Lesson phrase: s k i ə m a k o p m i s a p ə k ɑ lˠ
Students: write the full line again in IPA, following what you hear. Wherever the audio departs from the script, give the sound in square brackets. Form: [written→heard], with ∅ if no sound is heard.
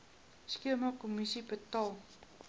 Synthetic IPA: s k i ə m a k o [p→∅] m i s [a→i] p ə [k→t] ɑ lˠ